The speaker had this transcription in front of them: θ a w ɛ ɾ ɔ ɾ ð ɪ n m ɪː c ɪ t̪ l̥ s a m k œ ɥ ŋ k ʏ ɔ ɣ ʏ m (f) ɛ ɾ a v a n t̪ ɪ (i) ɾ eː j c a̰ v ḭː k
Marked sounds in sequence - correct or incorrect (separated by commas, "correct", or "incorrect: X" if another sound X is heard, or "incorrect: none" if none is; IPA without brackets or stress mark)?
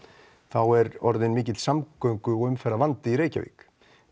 correct, correct